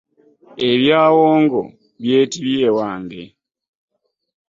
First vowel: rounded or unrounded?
unrounded